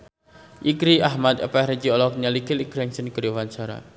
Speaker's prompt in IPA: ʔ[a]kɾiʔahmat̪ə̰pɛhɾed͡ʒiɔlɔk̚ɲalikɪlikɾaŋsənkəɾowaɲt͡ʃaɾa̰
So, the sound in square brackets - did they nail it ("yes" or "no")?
no